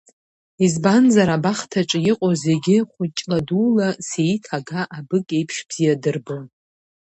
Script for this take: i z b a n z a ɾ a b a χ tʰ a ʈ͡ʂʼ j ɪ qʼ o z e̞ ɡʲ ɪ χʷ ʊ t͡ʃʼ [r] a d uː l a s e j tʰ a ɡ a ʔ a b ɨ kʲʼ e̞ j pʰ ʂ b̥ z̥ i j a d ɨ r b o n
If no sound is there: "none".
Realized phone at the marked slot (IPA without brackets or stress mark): l